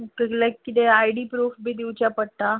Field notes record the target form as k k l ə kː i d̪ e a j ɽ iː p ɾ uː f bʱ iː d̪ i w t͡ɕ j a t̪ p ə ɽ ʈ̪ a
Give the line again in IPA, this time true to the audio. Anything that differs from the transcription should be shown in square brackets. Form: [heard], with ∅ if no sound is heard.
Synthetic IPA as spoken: k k l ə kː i [t̪] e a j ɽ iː p ɾ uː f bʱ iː d̪ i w t͡ɕ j a [∅] p ə ɽ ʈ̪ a